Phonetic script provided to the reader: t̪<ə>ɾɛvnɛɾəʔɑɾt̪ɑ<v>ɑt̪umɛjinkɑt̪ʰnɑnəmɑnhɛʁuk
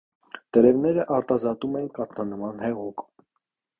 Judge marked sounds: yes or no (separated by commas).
yes, no